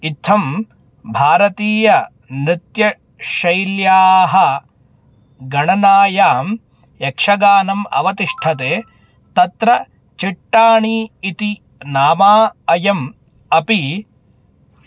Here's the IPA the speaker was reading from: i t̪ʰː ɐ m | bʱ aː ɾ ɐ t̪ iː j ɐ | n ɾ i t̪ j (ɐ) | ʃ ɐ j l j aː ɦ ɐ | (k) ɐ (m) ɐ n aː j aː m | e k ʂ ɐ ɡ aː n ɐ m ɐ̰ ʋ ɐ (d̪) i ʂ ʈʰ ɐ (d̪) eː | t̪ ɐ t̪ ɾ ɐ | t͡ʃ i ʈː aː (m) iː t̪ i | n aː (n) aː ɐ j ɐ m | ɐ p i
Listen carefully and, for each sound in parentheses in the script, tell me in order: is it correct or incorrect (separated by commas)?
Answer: correct, incorrect, incorrect, incorrect, incorrect, incorrect, incorrect